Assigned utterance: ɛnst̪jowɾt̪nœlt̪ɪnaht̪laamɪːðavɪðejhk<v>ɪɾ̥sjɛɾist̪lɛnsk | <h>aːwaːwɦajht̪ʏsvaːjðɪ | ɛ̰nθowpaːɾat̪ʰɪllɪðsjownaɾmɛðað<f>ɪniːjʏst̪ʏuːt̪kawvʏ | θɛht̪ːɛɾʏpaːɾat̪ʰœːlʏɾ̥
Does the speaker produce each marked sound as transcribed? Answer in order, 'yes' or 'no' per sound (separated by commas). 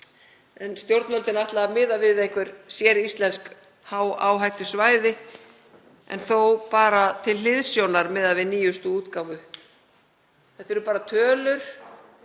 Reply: yes, yes, no